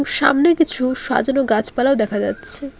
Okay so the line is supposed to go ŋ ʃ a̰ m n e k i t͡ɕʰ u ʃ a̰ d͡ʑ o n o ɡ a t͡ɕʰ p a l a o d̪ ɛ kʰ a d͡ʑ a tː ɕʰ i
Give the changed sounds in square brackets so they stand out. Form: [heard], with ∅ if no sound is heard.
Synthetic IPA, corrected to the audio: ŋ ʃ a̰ m n e k i t͡ɕʰ u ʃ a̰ d͡ʑ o n o ɡ a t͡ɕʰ p a l a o d̪ ɛ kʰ a d͡ʑ a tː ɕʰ [e]